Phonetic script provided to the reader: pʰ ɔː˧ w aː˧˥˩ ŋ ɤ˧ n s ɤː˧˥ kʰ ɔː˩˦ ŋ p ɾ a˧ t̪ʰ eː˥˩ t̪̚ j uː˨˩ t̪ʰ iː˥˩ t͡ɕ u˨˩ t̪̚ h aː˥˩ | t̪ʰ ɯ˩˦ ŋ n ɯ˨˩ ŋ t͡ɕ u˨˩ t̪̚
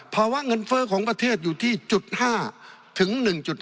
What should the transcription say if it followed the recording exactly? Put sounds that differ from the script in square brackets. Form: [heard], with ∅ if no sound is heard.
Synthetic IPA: pʰ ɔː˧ w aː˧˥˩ ŋ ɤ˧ n [f] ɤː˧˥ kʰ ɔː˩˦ ŋ p ɾ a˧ t̪ʰ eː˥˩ t̪̚ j uː˨˩ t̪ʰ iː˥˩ t͡ɕ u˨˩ t̪̚ h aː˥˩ | t̪ʰ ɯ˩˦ ŋ n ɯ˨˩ ŋ t͡ɕ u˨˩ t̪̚